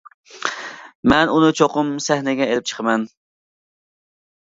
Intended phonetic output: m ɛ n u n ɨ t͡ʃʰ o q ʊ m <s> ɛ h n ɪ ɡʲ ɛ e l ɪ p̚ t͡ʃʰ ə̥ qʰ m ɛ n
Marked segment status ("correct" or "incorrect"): correct